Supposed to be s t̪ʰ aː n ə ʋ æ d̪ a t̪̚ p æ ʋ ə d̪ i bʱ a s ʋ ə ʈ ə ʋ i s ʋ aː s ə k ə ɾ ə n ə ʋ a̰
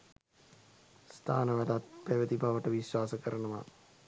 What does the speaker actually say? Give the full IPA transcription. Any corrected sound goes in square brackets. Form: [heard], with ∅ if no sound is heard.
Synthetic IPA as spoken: s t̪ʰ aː n ə ʋ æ d̪ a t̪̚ p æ ʋ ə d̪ i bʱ a [∅] ʋ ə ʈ ə ʋ i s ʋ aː s ə k ə ɾ ə n ə ʋ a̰